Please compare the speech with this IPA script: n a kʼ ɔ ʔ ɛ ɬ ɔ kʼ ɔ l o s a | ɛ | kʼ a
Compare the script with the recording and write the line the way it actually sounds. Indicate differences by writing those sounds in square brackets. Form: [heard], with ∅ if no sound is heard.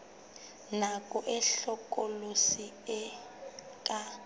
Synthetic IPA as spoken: n a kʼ ɔ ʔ ɛ ɬ ɔ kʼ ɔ l o s [i] | ɛ | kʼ a